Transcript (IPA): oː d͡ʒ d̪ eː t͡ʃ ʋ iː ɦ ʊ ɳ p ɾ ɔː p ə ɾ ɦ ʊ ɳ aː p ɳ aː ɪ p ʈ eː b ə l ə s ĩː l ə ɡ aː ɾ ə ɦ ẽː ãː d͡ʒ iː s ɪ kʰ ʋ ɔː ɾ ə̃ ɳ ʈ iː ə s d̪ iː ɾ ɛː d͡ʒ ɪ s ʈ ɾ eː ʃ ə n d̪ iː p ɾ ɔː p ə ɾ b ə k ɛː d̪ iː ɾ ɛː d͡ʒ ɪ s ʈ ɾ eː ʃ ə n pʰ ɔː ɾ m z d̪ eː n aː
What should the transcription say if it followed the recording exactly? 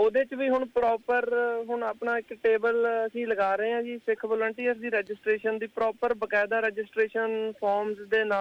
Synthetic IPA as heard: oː d̪ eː t͡ʃ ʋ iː ɦ ʊ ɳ p ɾ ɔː p ə ɾ ɦ ʊ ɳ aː p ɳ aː ɪ k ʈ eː b ə l ə s ĩː l ə ɡ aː ɾ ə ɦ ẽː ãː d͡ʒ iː s ɪ kʰ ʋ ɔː l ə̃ ɳ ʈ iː ə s d̪ iː ɾ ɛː d͡ʒ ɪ s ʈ ɾ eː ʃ ə n d̪ iː p ɾ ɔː p ə ɾ b ə k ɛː d̪ aː ɾ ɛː d͡ʒ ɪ s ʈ ɾ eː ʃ ə n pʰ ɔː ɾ m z d̪ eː n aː